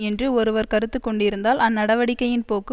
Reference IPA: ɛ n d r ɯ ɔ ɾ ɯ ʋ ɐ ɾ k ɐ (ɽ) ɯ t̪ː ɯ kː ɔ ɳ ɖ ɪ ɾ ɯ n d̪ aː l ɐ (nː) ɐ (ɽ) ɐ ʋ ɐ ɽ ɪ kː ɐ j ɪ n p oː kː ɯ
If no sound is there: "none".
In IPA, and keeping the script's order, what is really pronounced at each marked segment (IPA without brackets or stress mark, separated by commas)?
ɾ, nː, ɽ